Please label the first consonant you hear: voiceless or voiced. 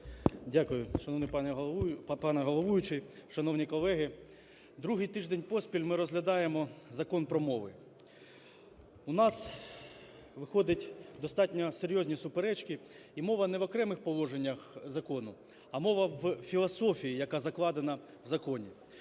voiced